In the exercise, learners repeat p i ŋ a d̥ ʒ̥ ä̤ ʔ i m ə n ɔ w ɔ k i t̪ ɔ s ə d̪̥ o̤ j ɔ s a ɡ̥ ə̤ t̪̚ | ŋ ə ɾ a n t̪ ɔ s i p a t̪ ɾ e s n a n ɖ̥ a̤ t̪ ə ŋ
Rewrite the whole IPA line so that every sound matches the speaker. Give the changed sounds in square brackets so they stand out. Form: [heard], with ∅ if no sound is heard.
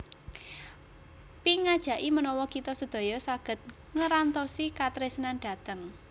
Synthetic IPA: p i ŋ a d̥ ʒ̥ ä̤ ʔ i m ə n ɔ w ɔ k i t̪ ɔ s ə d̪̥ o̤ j ɔ s a ɡ̥ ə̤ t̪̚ | ŋ ə ɾ a n t̪ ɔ s i [k] a t̪ ɾ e s n a n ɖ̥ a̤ t̪ ə ŋ